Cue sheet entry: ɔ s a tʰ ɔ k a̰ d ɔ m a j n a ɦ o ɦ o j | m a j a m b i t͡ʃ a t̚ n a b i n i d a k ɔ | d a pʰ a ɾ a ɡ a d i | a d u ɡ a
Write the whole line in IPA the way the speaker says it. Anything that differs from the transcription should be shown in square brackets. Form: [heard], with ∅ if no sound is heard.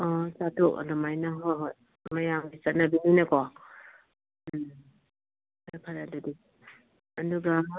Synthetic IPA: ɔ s a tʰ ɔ k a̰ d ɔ m a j n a ɦ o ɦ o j | m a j a m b i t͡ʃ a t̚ n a b i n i [n] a k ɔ | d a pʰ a ɾ a [d] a d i | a d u ɡ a